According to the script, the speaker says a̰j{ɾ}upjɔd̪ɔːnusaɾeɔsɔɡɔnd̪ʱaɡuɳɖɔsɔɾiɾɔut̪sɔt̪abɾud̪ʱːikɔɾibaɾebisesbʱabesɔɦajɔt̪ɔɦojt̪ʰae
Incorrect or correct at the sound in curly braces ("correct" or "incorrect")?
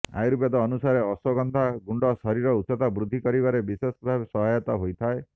correct